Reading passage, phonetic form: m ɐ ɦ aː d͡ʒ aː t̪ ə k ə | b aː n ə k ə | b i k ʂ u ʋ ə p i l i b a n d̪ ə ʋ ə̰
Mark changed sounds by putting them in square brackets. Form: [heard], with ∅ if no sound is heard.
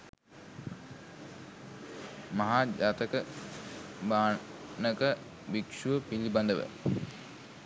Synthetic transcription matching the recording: m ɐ ɦ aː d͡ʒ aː t̪ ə k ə | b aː n ə k ə | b i k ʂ u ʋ ə p i l i b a n d̪ ə ʋ ə̰